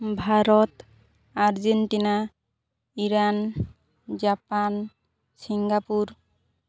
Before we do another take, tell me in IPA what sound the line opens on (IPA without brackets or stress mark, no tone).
bʱ